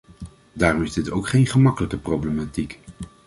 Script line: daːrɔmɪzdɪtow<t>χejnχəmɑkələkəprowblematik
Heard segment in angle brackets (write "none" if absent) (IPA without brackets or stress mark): k